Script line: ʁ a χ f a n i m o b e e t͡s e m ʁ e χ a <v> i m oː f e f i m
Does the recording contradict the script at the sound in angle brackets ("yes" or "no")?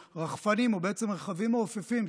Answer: no